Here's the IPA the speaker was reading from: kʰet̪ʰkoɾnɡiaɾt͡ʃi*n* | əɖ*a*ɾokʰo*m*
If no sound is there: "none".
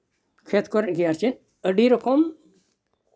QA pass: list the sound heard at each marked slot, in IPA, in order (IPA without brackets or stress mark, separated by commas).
n, i, m